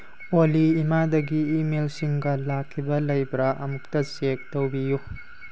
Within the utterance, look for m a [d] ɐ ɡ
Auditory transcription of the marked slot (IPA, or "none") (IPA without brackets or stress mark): d